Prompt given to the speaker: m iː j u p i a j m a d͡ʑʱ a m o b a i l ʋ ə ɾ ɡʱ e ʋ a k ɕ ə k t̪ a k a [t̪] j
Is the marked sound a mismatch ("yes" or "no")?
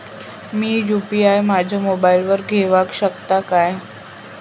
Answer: yes